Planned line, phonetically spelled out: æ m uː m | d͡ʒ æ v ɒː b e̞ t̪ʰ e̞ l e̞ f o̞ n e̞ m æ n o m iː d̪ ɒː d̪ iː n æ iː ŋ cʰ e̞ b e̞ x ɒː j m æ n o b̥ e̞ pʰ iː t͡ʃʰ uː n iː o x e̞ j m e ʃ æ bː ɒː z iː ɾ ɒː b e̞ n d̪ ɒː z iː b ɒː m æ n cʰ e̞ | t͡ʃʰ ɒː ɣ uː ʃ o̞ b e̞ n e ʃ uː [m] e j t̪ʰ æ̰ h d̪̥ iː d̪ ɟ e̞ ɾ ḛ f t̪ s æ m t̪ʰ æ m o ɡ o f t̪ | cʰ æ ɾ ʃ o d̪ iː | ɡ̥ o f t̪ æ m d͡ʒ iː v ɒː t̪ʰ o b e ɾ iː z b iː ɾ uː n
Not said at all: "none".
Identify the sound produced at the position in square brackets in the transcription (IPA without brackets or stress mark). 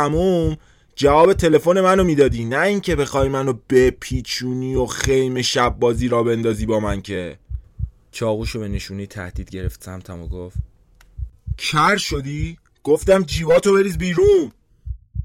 n